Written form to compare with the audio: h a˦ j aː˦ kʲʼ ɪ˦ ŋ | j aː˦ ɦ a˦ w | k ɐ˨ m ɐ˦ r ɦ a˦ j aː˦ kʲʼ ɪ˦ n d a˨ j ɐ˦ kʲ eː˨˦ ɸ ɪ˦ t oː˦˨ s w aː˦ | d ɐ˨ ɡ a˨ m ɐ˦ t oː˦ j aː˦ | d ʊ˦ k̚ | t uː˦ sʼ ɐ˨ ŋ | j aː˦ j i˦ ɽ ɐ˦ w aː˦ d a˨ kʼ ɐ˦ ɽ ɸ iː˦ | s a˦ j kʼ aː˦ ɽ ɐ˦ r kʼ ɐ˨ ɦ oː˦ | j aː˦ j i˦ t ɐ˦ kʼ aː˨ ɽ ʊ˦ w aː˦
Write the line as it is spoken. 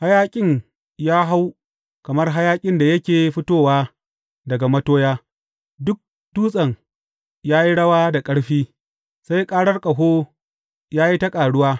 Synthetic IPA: h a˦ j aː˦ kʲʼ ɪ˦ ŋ | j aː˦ ɦ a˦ w | k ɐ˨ m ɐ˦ r ɦ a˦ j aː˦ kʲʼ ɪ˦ n d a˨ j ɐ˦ kʲ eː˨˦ ɸ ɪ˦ t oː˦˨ w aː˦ | d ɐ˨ ɡ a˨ m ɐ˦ t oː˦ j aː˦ | d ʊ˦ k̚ | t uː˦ sʼ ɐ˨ ŋ | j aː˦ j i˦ ɽ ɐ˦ w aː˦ d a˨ kʼ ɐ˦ ɽ ɸ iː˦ | s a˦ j kʼ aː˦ ɽ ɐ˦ r kʼ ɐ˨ ɦ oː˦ | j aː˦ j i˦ t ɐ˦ kʼ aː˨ ɽ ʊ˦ w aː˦